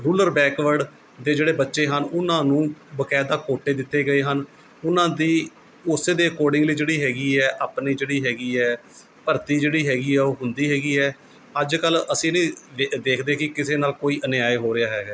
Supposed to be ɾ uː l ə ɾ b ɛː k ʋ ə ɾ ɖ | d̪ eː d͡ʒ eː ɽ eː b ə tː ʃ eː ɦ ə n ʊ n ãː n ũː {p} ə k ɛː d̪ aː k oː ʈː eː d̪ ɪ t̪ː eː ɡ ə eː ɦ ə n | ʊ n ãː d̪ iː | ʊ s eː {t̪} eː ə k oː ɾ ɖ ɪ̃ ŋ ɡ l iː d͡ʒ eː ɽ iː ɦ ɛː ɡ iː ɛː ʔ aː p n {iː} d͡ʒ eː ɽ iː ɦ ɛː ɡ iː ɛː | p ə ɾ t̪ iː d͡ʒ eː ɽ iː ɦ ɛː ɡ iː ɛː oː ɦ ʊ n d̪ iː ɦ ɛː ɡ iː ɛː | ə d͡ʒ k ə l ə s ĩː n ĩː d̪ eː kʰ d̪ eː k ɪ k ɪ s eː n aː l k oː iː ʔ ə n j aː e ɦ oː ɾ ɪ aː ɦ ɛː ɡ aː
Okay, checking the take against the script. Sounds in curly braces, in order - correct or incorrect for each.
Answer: incorrect: b, incorrect: d̪, correct

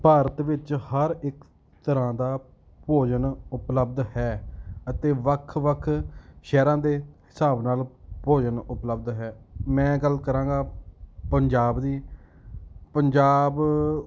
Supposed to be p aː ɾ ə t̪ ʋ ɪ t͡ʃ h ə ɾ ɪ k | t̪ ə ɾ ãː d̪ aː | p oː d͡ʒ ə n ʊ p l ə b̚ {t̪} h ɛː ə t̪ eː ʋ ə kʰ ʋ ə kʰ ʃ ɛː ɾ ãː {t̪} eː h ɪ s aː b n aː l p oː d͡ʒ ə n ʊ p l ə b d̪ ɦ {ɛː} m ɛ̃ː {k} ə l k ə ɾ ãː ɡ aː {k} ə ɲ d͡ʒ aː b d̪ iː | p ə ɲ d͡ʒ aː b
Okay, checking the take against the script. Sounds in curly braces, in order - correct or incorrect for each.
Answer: incorrect: d̪, incorrect: d̪, correct, incorrect: ɡ, incorrect: p

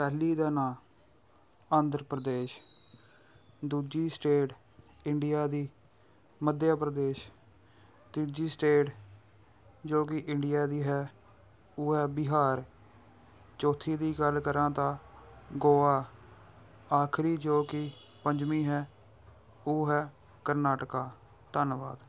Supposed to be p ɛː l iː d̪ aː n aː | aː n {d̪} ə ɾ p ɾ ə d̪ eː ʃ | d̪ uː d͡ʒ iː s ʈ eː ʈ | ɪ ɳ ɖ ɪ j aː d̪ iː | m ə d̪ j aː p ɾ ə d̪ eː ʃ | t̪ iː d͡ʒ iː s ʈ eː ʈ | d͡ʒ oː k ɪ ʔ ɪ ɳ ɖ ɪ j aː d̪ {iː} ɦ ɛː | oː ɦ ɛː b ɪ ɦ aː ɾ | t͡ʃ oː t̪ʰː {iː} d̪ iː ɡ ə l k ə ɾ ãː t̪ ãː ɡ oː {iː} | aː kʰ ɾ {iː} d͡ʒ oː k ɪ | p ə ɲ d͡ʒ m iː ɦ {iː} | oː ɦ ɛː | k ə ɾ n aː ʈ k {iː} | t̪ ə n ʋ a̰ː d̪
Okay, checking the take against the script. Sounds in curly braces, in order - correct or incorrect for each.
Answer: correct, correct, correct, incorrect: aː, correct, incorrect: ɛː, incorrect: aː

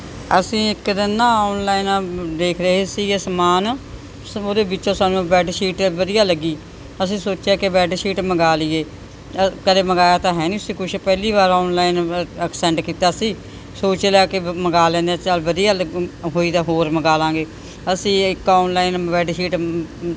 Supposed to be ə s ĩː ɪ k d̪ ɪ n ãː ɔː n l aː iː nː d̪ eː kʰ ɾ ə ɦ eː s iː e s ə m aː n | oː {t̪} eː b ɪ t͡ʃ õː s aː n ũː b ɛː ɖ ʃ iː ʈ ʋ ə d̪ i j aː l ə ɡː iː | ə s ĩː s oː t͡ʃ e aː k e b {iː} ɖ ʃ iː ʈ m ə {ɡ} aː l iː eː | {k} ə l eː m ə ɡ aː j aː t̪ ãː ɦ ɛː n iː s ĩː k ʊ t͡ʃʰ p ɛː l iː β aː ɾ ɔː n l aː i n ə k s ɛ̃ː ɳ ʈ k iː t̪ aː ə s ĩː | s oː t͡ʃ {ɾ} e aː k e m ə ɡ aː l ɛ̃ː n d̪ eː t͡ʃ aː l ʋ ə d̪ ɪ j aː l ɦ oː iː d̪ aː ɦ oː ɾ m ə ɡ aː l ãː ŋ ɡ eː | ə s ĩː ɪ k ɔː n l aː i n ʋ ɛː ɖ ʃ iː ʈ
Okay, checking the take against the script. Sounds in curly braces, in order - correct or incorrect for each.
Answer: incorrect: d̪, incorrect: ɛː, correct, correct, incorrect: l

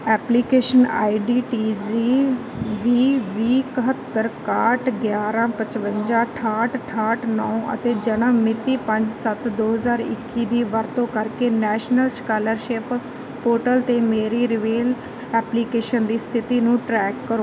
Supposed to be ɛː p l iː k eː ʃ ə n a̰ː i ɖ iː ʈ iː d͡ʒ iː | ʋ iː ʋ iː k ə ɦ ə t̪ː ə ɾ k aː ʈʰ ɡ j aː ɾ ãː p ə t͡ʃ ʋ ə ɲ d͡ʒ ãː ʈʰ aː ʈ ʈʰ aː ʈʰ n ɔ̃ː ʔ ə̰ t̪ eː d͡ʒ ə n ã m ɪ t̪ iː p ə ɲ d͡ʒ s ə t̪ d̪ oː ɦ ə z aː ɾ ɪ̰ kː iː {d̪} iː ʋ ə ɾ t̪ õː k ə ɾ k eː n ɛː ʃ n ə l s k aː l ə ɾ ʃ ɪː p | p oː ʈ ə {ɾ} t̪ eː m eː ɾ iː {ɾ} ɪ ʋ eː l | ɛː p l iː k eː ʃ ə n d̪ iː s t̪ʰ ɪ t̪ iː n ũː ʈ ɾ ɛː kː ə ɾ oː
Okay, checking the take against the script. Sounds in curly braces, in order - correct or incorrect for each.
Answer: correct, incorrect: l, correct

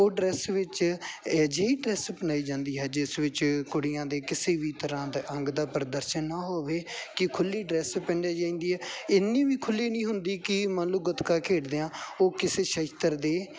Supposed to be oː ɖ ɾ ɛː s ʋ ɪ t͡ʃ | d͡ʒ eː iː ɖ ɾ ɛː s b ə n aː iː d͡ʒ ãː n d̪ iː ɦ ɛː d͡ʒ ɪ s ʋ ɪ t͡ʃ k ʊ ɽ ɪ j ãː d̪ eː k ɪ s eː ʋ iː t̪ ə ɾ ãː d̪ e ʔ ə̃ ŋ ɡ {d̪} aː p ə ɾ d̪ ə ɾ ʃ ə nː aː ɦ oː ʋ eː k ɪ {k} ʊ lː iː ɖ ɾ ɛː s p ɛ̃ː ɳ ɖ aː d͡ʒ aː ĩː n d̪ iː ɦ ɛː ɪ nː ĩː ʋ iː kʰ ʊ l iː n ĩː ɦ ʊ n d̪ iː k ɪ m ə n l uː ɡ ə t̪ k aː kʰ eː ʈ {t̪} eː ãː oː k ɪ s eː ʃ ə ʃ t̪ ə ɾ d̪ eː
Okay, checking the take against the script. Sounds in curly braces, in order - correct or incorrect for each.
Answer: correct, incorrect: kʰ, incorrect: d̪

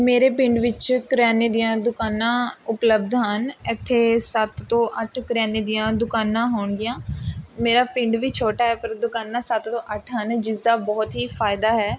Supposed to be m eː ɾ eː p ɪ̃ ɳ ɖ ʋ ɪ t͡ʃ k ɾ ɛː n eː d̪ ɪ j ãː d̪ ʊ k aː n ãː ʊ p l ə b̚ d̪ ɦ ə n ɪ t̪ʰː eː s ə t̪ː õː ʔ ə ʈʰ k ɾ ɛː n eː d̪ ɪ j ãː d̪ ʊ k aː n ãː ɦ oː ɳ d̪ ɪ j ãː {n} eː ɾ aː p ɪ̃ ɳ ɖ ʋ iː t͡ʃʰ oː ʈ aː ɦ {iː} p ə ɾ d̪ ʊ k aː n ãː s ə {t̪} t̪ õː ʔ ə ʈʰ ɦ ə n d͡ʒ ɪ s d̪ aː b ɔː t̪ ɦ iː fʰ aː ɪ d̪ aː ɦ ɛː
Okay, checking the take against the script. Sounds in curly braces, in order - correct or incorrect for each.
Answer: incorrect: m, incorrect: ɛː, correct

